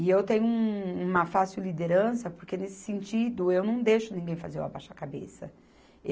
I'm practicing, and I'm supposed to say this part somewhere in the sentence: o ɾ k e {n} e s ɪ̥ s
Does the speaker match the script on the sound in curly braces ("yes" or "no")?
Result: yes